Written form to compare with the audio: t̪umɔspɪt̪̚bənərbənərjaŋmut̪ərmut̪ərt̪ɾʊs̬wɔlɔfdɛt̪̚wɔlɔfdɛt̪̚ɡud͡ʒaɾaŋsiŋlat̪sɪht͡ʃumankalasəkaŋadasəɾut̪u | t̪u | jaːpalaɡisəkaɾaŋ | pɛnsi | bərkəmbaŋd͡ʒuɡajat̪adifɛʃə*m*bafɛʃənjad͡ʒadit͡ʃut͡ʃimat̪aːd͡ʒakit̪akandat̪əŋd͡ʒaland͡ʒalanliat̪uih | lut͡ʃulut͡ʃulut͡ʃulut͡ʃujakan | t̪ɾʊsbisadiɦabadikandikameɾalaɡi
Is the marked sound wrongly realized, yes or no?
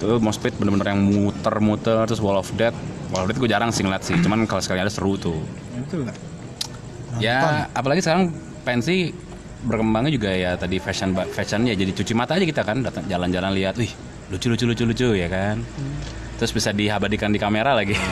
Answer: yes